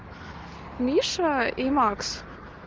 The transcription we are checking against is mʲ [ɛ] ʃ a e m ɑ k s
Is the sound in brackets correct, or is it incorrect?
incorrect: i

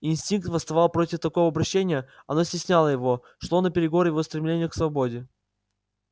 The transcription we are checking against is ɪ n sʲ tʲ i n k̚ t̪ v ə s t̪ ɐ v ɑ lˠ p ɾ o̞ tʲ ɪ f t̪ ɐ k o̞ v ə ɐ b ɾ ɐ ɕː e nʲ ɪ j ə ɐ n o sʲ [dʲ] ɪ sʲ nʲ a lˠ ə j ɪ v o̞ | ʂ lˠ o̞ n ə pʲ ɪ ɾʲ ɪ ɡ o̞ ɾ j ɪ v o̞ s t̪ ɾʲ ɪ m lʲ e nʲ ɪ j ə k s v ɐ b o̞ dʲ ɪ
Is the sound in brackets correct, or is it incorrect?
incorrect: tʲ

